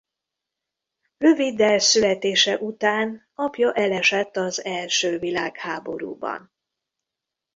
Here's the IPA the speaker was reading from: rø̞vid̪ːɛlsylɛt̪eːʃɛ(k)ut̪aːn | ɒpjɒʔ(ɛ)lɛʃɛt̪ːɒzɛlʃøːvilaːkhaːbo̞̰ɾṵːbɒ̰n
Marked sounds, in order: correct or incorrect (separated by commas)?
incorrect, correct